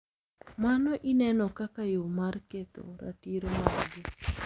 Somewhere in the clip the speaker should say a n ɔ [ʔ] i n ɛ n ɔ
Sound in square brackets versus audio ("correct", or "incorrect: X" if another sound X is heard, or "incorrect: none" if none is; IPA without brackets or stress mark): correct